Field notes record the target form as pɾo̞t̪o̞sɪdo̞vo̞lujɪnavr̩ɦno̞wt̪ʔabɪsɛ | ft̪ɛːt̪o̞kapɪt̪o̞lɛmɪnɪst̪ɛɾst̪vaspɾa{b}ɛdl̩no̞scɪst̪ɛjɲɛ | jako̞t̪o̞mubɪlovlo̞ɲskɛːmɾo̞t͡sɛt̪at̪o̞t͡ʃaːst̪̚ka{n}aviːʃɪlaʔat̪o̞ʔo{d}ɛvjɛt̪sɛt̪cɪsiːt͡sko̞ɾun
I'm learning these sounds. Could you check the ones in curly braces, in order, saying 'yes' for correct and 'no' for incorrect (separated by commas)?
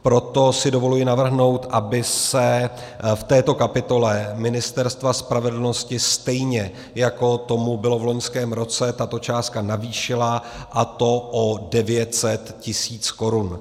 no, yes, yes